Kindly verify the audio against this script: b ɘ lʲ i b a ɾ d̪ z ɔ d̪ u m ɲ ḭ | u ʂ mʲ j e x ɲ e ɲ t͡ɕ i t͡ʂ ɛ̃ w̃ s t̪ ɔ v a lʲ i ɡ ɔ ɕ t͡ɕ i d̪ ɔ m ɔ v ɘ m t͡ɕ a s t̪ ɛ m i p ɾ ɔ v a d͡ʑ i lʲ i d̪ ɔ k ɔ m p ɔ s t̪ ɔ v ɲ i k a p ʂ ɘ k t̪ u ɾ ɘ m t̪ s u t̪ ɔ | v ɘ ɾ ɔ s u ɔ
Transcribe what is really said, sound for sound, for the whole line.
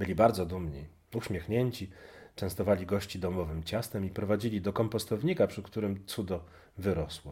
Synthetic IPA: b ɘ lʲ i b a ɾ d̪ z ɔ d̪ u m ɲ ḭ | u ɕ mʲ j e x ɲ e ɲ t͡ɕ i t͡ʂ ɛ̃ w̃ s t̪ ɔ v a lʲ i ɡ ɔ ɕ t͡ɕ i d̪ ɔ m ɔ v ɘ m t͡ɕ a s t̪ ɛ m i p ɾ ɔ v a d͡ʑ i lʲ i d̪ ɔ k ɔ m p ɔ s t̪ ɔ v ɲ i k a p ʂ ɘ k t̪ u ɾ ɘ m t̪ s u d̪ ɔ | v ɘ ɾ ɔ s w ɔ